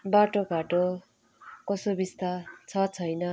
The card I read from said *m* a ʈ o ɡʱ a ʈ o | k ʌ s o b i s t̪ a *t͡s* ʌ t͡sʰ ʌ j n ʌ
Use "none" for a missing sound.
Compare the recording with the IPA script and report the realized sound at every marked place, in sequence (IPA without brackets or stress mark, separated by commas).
b, t͡sʰ